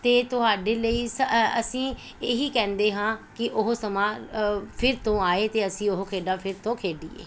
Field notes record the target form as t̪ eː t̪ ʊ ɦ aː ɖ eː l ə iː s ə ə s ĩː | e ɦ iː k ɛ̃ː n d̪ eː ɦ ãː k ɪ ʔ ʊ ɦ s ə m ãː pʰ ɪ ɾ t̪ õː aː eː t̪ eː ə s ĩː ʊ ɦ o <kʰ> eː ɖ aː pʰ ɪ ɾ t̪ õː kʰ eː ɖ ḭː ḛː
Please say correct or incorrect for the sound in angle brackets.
correct